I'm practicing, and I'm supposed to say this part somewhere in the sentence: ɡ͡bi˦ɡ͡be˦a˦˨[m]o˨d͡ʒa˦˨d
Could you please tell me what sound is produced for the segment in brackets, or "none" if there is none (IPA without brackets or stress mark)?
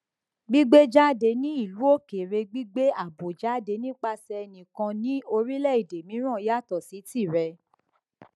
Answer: b